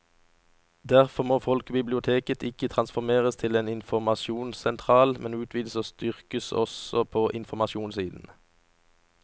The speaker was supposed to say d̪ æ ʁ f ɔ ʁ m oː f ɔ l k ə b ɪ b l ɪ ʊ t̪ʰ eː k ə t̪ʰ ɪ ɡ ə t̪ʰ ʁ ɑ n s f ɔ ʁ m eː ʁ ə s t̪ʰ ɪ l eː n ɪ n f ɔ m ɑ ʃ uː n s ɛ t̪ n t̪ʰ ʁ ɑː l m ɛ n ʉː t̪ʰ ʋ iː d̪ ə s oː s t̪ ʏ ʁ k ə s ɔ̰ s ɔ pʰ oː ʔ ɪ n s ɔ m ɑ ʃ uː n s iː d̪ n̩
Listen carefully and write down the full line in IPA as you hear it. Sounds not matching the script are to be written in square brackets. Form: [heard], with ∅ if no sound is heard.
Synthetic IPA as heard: d̪ æ ʁ f ɔ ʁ m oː f ɔ l k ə b ɪ b l ɪ ʊ t̪ʰ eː k ə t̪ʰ ɪ [k] ə t̪ʰ ʁ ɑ n s f ɔ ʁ m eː ʁ ə s t̪ʰ ɪ l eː n ɪ n f ɔ m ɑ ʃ uː n s ɛ [∅] n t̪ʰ ʁ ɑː l m ɛ n ʉː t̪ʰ ʋ iː d̪ ə s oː s t̪ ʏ ʁ k ə s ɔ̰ s ɔ pʰ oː ʔ ɪ n [f] ɔ m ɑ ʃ uː n s iː d̪ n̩